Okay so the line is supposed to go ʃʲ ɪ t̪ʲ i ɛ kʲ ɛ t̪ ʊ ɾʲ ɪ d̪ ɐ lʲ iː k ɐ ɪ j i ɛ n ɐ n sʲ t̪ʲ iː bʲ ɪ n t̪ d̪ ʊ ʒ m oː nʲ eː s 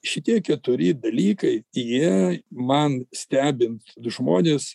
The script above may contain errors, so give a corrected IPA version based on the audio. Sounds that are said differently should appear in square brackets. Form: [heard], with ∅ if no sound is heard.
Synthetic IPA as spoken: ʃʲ ɪ t̪ʲ i ɛ kʲ ɛ t̪ ʊ ɾʲ ɪ d̪ ɐ lʲ iː k ɐ ɪ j i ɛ [m] ɐ n sʲ t̪ʲ [æː] bʲ ɪ n t̪ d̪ ʊ ʒ m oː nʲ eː s